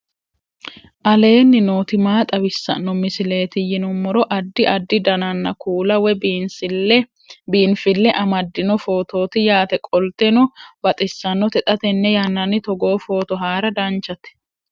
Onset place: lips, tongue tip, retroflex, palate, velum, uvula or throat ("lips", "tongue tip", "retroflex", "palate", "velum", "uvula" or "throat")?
throat